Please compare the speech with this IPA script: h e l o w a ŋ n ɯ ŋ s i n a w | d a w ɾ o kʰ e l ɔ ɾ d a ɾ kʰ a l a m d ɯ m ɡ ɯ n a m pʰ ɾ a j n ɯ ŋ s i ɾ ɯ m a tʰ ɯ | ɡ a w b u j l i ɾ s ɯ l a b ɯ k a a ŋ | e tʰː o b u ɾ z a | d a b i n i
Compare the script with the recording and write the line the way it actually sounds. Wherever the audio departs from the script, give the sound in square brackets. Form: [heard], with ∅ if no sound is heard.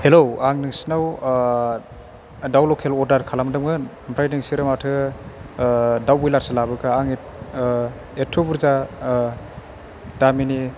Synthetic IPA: h e l o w a ŋ n ɯ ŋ s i n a w | d a w [l] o kʰ e l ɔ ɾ d a ɾ kʰ a l a m d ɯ m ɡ ɯ n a m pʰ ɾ a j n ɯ ŋ s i ɾ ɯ m a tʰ ɯ | [d] a w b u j l [a] ɾ s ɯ l a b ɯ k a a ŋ | e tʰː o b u ɾ z a | d a [m] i n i